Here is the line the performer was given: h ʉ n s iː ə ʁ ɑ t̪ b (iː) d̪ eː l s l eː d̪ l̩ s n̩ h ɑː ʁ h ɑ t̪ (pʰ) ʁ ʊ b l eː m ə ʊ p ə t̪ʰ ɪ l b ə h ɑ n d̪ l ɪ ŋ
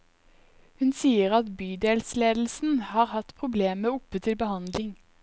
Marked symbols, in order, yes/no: no, yes

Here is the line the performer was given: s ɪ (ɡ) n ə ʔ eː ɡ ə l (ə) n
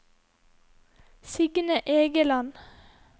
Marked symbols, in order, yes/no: yes, no

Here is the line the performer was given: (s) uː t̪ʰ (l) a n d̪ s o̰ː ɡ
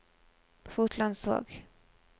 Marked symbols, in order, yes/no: no, yes

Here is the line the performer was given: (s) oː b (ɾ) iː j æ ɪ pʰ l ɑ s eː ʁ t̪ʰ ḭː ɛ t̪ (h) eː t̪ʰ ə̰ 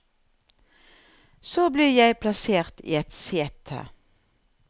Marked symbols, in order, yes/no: yes, no, no

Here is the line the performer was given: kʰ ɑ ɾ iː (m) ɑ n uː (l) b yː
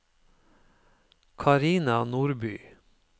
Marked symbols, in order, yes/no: no, no

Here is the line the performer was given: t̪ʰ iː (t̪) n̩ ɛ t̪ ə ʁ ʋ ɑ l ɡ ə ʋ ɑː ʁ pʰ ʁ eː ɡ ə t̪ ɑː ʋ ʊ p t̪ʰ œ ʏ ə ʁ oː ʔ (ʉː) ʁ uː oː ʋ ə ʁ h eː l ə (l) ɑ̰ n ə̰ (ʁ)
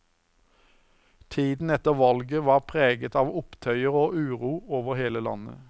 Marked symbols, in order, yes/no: no, yes, yes, no

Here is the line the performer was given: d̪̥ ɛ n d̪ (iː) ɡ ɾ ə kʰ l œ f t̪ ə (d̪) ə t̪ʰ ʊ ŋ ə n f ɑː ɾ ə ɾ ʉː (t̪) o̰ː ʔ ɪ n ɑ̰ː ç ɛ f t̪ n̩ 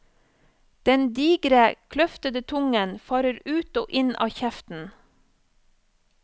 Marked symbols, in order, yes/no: yes, yes, yes

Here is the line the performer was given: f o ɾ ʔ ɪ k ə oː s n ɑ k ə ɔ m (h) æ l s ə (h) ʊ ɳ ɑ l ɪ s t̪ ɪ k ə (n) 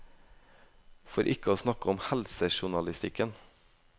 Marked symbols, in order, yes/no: yes, no, yes

